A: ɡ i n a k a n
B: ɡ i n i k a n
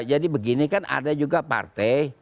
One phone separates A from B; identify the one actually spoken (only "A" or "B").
B